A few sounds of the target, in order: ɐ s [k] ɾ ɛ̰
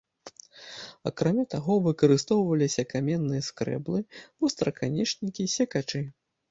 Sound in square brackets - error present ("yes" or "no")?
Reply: no